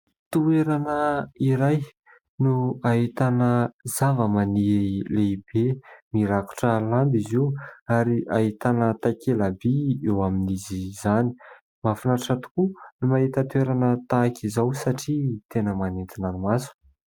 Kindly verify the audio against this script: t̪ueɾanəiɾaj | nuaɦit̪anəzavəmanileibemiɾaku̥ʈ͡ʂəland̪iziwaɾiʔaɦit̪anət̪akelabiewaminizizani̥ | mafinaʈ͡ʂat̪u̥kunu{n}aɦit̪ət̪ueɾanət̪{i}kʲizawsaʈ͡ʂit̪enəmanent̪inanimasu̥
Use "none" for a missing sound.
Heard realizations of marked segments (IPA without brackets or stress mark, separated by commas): m, a